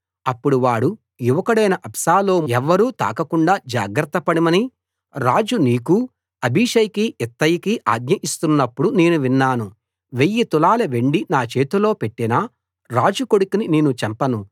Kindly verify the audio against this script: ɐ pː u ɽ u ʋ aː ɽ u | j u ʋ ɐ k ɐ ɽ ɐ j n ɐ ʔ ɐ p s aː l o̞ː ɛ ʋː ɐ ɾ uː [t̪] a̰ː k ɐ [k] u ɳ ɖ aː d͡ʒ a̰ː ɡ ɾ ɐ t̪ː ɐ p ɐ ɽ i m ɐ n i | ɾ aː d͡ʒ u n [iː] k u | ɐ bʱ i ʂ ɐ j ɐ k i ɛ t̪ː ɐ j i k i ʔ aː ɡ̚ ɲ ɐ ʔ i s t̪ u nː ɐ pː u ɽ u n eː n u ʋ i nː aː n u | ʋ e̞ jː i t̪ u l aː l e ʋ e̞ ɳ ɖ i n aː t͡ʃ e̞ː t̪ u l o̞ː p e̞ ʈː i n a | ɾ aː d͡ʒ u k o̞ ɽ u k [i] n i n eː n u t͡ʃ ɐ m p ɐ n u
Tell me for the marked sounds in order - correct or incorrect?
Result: correct, correct, correct, correct

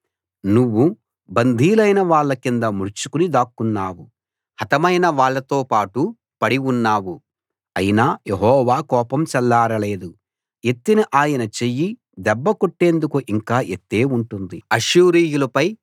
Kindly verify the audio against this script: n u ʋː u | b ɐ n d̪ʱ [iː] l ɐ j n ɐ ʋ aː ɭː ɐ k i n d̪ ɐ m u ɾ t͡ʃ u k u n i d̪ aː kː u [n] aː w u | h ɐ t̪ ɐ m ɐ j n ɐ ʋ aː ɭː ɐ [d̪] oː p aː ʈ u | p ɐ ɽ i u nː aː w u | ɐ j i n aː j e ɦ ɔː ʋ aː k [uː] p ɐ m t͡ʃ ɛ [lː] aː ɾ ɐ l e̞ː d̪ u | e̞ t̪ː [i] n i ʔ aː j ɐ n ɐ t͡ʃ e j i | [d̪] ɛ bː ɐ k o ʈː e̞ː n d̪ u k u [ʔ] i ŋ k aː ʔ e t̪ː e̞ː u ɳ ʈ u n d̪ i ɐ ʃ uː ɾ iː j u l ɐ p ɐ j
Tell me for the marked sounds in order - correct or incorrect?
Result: correct, incorrect: nː, incorrect: t̪, incorrect: ɔː, correct, correct, correct, correct

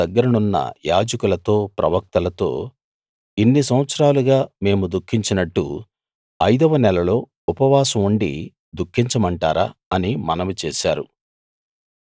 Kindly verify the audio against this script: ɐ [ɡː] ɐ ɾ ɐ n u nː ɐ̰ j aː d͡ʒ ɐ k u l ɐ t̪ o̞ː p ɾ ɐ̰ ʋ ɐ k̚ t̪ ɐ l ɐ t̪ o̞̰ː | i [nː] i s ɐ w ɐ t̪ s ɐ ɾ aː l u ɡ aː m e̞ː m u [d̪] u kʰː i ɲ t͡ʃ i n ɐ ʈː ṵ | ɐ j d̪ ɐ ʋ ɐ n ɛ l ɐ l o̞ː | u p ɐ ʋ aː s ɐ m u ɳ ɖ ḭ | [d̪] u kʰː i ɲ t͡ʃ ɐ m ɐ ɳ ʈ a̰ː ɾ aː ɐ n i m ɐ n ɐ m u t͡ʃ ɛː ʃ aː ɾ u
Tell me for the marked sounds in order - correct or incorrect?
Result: correct, correct, correct, correct

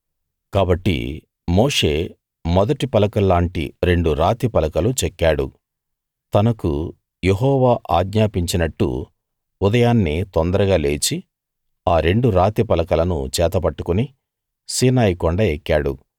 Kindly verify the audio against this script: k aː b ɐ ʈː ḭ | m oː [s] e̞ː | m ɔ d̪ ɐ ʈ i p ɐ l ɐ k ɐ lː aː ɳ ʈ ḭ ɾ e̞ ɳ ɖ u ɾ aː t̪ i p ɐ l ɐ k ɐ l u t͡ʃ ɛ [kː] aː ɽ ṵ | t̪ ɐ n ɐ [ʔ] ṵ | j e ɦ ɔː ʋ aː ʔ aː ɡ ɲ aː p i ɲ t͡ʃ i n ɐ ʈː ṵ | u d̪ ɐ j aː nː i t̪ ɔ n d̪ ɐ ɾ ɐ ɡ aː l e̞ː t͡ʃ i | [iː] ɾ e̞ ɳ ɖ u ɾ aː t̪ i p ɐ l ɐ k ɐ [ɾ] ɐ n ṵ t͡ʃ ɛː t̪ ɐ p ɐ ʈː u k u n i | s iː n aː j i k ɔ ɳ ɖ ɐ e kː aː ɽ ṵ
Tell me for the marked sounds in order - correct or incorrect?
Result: incorrect: ʂ, correct, incorrect: k, incorrect: aː, incorrect: l

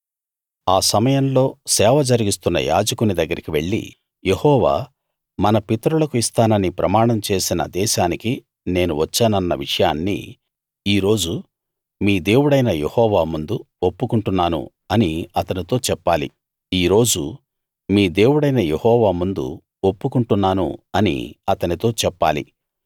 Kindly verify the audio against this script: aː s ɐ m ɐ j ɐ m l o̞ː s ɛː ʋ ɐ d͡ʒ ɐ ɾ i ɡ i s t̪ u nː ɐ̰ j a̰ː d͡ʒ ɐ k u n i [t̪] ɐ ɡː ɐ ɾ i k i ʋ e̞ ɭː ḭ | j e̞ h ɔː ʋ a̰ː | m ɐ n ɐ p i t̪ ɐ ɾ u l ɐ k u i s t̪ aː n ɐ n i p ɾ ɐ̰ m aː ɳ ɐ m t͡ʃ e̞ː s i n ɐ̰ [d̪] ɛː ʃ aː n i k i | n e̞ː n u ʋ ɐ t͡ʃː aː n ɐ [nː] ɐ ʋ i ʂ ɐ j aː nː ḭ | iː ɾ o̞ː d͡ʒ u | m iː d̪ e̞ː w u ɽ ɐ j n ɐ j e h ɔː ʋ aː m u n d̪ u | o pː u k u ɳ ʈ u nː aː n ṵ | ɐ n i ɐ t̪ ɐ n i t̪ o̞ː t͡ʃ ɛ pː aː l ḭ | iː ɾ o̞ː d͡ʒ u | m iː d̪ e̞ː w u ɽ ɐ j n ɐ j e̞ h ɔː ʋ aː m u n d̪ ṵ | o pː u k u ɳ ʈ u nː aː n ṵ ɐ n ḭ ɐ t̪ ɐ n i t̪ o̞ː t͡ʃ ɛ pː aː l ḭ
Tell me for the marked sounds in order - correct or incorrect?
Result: incorrect: d̪, correct, correct

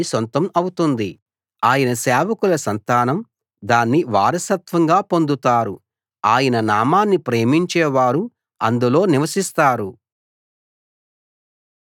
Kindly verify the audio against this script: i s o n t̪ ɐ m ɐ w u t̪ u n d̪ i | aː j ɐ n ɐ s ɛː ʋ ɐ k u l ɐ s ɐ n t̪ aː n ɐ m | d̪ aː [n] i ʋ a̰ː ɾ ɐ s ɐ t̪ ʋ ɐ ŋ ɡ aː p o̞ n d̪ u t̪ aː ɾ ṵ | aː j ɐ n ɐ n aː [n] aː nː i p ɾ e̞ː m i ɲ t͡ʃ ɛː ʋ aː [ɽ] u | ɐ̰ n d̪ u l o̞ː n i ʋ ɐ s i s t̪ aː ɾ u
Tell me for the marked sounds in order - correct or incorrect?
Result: incorrect: nː, incorrect: m, incorrect: ɾ

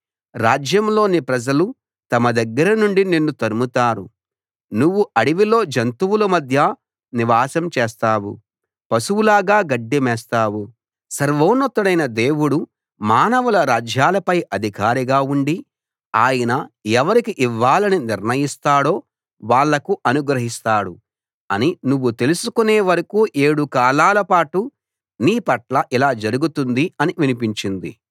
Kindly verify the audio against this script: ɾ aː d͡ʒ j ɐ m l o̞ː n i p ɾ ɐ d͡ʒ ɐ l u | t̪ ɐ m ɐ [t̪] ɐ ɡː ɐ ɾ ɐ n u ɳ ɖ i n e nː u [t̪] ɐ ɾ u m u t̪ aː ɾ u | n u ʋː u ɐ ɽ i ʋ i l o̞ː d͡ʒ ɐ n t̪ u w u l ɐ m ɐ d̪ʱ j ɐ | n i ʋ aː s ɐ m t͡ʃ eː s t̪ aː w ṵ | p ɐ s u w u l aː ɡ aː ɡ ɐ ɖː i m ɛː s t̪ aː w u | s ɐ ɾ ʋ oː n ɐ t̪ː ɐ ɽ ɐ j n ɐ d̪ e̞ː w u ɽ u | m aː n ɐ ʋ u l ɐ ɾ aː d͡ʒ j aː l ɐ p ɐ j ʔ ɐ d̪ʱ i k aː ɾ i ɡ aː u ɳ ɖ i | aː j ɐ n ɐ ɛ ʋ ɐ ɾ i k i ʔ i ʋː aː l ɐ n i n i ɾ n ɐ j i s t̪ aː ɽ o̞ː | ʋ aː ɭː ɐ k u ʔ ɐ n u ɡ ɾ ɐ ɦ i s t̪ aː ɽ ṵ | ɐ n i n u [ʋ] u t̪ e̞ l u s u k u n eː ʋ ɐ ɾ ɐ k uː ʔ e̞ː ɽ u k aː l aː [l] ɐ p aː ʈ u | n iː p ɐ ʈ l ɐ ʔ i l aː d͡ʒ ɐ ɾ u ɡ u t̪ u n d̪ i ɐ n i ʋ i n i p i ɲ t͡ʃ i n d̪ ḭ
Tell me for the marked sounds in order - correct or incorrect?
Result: incorrect: d̪, correct, incorrect: ʋː, correct

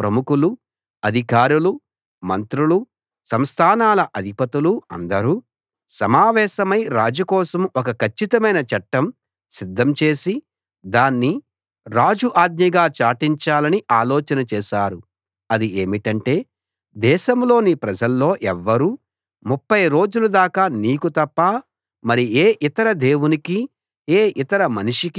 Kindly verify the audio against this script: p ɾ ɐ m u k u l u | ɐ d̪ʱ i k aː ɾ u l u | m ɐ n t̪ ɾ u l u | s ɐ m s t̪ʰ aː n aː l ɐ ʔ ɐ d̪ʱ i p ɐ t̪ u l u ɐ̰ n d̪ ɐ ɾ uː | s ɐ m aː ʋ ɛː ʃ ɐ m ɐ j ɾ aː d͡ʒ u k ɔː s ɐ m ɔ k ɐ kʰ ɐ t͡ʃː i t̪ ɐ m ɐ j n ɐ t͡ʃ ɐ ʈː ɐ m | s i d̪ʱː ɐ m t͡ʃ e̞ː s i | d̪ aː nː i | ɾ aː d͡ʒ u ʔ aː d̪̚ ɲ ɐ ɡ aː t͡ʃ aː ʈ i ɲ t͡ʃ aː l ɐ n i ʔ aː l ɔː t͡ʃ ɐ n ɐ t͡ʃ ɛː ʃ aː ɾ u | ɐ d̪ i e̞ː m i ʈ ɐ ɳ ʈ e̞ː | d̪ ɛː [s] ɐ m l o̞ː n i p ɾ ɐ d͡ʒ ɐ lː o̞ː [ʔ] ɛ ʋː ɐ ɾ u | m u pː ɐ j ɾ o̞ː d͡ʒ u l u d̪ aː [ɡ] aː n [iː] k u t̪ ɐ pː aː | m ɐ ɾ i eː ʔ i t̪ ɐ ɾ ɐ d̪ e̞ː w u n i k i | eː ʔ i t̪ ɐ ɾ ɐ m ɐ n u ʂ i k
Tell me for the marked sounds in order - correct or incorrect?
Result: incorrect: ʃ, correct, incorrect: k, correct

